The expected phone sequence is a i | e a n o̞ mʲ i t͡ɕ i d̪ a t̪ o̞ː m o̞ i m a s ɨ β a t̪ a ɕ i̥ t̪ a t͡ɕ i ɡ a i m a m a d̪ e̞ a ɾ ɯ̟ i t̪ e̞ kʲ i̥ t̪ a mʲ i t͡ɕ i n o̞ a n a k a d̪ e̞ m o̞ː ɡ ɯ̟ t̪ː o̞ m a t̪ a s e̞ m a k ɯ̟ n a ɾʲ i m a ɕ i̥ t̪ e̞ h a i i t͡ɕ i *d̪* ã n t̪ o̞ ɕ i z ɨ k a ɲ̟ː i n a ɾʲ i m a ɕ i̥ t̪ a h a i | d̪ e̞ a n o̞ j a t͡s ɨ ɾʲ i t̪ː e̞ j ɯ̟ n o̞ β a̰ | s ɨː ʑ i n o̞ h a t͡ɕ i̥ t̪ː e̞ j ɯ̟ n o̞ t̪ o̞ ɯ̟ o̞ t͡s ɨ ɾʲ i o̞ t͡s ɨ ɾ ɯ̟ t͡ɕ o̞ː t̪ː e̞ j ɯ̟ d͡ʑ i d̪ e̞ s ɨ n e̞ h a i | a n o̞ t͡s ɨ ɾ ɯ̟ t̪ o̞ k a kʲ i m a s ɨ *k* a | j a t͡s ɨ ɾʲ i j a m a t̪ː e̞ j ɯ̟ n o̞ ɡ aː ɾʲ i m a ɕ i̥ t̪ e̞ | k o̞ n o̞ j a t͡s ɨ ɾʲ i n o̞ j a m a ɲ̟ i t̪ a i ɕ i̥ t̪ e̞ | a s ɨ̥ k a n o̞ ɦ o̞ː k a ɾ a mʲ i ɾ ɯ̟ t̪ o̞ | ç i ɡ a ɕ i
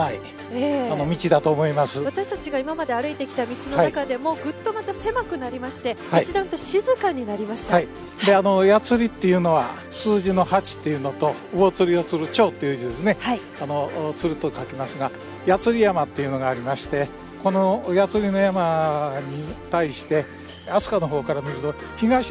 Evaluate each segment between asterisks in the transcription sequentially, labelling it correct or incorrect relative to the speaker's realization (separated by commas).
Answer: correct, incorrect